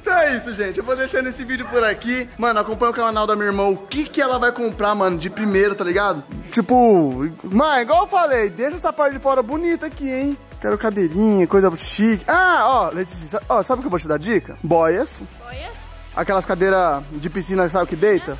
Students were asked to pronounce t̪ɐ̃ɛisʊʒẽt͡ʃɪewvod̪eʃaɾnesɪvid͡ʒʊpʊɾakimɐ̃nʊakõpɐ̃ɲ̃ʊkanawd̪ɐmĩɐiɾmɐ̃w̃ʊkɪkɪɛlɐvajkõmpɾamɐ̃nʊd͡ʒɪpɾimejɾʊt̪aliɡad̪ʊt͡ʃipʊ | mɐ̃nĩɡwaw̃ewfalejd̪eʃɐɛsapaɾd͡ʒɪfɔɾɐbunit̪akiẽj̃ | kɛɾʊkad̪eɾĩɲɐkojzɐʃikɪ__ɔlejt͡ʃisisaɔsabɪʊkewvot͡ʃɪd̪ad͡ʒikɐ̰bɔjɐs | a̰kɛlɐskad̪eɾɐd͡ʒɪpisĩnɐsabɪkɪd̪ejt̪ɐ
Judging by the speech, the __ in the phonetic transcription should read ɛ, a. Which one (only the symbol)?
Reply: a